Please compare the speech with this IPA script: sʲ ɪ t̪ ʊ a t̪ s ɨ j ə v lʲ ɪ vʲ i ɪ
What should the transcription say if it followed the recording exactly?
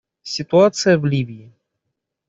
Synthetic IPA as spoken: sʲ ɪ t̪ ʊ a t̪ s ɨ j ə v lʲ i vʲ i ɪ